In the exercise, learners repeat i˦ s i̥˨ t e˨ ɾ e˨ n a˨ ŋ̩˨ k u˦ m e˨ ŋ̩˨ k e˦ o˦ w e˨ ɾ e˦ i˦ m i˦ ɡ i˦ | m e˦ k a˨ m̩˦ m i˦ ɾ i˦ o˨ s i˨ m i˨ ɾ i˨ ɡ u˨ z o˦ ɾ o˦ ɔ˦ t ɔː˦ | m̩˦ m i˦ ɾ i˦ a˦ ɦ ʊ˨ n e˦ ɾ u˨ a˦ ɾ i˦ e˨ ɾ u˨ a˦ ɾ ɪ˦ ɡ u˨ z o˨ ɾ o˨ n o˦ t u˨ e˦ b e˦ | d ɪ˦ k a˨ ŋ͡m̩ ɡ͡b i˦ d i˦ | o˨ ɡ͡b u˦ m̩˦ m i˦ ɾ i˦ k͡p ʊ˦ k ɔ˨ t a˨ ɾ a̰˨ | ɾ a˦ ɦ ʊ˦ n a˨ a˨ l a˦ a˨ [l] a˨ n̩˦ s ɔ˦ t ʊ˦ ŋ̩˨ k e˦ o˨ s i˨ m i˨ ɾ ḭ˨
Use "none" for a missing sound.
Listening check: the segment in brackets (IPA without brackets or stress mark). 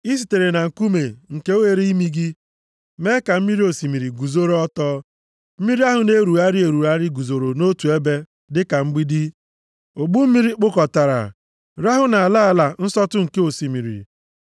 l